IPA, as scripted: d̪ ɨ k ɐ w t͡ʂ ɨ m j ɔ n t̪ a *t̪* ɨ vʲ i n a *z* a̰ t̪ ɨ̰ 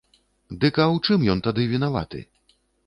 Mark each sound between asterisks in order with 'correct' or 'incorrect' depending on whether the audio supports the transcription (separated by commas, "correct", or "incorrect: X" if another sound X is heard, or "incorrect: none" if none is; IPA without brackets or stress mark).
incorrect: d̪, incorrect: v